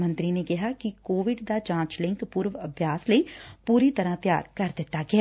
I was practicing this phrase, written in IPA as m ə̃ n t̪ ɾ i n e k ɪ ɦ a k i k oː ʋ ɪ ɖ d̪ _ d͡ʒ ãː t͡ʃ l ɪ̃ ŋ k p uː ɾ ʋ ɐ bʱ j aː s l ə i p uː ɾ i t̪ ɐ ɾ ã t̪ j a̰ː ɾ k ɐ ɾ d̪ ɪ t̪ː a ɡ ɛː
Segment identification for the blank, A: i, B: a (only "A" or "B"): B